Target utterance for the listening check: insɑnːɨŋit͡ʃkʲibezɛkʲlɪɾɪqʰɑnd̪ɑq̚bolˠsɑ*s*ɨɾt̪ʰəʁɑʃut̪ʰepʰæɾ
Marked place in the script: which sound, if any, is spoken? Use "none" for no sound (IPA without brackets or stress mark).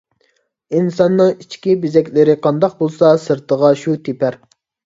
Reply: s